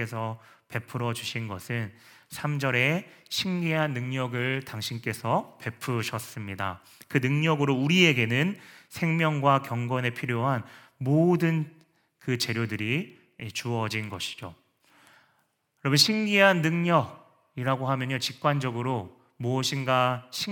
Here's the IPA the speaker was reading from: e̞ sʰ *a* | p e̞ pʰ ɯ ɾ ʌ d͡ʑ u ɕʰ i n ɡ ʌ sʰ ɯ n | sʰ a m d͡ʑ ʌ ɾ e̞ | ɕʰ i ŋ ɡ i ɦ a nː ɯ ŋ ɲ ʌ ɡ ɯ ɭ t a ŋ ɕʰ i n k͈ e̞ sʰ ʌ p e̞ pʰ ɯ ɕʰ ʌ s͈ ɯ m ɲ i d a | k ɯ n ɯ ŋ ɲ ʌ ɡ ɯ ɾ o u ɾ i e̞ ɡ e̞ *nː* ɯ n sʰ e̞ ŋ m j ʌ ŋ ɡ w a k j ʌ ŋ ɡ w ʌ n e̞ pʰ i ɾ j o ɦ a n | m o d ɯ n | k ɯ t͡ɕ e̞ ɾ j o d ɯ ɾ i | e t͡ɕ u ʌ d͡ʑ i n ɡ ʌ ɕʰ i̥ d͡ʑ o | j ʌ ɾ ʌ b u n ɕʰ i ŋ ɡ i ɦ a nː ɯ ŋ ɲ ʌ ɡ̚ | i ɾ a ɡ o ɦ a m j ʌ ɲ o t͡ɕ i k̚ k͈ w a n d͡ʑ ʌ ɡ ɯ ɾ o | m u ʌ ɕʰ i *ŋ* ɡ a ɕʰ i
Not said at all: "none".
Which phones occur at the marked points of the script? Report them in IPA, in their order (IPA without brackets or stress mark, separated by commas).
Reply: ʌ, n, n